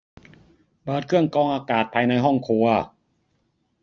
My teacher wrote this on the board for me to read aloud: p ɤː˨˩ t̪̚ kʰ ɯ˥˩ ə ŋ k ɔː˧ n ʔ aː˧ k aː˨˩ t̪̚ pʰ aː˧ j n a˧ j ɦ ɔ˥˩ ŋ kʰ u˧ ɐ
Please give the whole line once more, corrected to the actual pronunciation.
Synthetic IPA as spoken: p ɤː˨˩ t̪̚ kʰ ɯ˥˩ ə ŋ k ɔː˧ ŋ ʔ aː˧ k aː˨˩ t̪̚ pʰ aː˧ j n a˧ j ɦ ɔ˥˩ ŋ kʰ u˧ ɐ